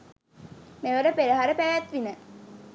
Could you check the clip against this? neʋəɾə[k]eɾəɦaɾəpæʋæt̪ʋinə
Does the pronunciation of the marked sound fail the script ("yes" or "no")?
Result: yes